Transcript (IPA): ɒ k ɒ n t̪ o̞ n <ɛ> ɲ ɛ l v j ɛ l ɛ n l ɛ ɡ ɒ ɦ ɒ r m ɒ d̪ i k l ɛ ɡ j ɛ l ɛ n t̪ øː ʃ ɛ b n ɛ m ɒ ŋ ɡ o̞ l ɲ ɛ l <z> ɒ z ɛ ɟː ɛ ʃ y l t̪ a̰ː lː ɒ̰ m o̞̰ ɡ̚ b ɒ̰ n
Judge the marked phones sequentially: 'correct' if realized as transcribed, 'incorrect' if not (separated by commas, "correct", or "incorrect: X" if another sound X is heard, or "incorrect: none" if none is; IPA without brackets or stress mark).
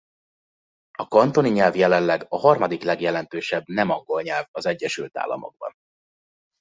incorrect: i, incorrect: v